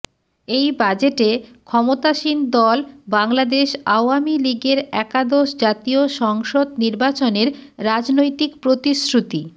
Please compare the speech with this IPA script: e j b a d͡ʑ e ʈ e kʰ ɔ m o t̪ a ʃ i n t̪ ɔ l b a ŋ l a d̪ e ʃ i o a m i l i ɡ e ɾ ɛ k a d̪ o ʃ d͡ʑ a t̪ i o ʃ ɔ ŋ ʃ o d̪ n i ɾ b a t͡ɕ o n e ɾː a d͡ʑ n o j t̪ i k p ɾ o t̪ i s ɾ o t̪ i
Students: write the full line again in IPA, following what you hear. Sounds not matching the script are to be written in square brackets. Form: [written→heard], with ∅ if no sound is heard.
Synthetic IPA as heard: e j b a d͡ʑ e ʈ e kʰ ɔ m o t̪ a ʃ i n [t̪→d̪] ɔ l b a ŋ l a d̪ e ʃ [i→a] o a m i l i ɡ e ɾ ɛ k a d̪ o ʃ d͡ʑ a t̪ i o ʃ ɔ ŋ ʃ o d̪ n i ɾ b a t͡ɕ o n e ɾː a d͡ʑ n o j t̪ i k p ɾ o t̪ i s ɾ [o→u] t̪ i